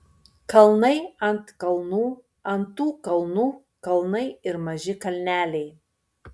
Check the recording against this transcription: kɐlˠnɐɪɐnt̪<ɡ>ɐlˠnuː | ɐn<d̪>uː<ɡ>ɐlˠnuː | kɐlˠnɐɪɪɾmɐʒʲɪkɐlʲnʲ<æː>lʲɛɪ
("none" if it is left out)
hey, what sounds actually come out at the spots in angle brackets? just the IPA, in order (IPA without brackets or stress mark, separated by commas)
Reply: k, t̪, k, æː